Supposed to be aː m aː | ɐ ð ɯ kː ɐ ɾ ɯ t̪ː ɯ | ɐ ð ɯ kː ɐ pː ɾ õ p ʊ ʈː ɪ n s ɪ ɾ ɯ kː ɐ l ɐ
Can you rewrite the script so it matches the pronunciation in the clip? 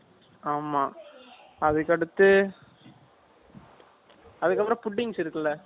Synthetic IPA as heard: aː m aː | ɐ ð ɯ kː ɐ ɽ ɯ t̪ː ɯ | ɐ ð ɯ kː ɐ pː ɾ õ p ʊ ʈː ɪ ŋ s ɪ ɾ ɯ kː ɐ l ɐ